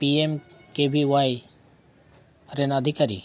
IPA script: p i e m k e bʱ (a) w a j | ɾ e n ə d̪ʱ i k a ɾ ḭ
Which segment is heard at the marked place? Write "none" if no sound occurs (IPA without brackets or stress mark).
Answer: i